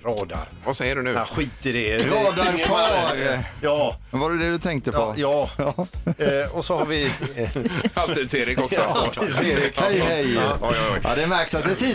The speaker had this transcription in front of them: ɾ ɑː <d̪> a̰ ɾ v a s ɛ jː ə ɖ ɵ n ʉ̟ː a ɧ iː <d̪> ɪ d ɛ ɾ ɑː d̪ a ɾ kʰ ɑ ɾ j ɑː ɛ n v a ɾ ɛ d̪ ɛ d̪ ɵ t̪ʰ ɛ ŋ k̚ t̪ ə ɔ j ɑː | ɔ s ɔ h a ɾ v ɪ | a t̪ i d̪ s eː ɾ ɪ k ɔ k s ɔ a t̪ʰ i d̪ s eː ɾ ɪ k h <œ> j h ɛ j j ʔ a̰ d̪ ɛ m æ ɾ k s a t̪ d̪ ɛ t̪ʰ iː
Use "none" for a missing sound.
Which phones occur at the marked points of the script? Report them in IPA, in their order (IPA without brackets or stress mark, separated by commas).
d̪, t̪, ɛ